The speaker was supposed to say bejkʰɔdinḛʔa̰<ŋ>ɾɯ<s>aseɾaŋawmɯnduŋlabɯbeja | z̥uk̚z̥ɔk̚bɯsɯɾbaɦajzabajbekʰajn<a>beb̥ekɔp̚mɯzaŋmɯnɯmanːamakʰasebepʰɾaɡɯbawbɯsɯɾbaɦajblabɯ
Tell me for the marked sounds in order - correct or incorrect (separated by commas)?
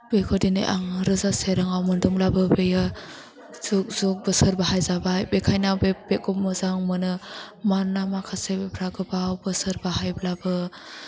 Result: correct, incorrect, correct